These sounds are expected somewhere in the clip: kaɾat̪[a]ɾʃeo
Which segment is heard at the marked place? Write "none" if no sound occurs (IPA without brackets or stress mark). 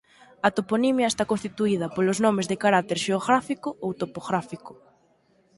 e